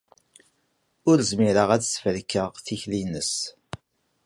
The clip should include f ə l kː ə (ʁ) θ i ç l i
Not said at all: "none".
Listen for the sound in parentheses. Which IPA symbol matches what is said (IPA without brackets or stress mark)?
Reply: ʁ